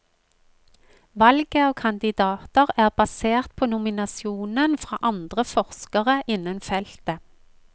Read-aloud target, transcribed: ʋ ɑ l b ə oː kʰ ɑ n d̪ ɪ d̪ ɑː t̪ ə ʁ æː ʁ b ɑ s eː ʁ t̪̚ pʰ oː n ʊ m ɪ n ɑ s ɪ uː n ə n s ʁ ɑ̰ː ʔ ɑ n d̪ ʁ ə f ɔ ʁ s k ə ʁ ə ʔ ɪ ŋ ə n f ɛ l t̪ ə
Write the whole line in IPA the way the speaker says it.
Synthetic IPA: ʋ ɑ l ɡ ə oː kʰ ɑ n d̪ ɪ d̪ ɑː t̪ ə ʁ æː ʁ b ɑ s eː ʁ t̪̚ pʰ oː n ʊ m ɪ n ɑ s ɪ uː n ə n f ʁ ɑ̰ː ʔ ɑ n d̪ ʁ ə f ɔ ʁ s k ə ʁ ə ʔ ɪ n ə n f ɛ l t̪ ə